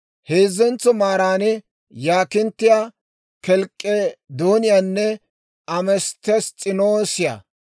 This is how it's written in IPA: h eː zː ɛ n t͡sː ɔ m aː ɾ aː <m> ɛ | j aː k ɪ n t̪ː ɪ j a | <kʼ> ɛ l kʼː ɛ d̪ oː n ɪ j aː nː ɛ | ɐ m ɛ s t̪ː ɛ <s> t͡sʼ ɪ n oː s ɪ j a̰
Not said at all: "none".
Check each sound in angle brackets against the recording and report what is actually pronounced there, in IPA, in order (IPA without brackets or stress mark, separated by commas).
n, k, s